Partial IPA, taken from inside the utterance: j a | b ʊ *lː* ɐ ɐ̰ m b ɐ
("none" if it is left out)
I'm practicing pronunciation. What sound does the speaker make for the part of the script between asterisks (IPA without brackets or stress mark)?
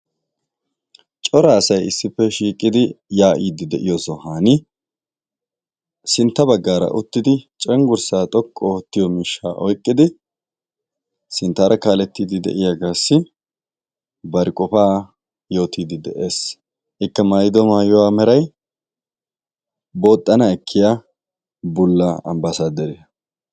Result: lː